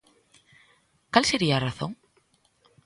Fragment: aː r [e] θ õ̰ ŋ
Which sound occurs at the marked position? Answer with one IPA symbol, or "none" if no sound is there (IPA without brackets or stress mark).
a